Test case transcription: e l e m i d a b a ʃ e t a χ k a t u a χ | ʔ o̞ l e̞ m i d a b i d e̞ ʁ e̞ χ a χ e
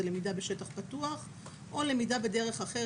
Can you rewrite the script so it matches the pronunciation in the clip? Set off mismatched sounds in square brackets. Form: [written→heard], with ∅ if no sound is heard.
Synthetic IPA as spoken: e l e m i d a b [a→e] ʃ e t a χ [k→p] a t u a χ | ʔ o̞ l e̞ m i d a b [i→e] d e̞ ʁ e̞ χ a χ e